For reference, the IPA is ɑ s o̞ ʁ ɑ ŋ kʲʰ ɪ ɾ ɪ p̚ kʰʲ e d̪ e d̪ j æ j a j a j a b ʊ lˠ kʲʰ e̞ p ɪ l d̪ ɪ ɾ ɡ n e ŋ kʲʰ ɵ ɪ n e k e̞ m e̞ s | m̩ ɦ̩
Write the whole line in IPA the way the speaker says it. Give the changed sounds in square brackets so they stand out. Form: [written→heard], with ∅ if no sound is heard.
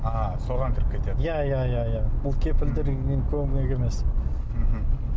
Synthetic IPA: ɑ s o̞ ʁ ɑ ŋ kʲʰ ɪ ɾ ɪ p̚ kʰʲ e [d̪→t̪] e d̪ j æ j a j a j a b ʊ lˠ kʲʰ e̞ p ɪ l d̪ ɪ ɾ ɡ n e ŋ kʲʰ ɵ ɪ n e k e̞ m e̞ s | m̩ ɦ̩